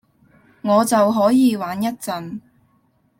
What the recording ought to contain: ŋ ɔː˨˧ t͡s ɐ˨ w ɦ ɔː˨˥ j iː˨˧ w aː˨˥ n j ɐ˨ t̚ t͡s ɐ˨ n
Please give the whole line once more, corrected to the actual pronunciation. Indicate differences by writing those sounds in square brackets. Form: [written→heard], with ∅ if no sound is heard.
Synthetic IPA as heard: ŋ ɔː˨˧ t͡s ɐ˨ w ɦ ɔː˨˥ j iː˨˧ w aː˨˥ n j [ɐ˨→ɐ˥] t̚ t͡s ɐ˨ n